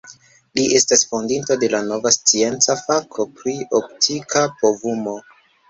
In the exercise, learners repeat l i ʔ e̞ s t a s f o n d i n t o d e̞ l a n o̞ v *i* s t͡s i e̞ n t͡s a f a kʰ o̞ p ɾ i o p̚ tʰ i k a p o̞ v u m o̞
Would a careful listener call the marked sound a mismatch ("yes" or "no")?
yes